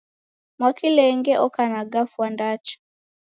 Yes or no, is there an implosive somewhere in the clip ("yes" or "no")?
no